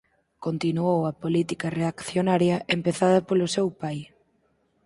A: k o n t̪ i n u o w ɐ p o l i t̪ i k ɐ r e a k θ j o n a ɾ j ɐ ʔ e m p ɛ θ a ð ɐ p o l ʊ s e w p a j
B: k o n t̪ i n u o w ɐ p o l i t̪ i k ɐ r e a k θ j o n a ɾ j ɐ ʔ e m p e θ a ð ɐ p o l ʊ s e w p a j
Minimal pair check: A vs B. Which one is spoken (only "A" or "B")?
B